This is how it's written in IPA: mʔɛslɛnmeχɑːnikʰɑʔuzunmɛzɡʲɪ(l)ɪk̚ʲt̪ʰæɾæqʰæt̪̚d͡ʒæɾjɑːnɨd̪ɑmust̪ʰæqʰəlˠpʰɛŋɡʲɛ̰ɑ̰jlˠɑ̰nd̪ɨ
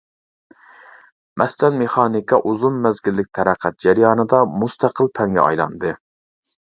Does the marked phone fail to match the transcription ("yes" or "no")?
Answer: yes